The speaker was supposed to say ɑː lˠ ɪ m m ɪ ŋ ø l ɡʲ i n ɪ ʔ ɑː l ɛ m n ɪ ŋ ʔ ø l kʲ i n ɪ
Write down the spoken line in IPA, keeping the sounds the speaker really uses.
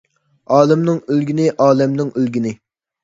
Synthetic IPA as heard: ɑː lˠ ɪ m n ɪ ŋ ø l ɡʲ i n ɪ ʔ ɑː l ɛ m n ɪ ŋ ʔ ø l ɡʲ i n ɪ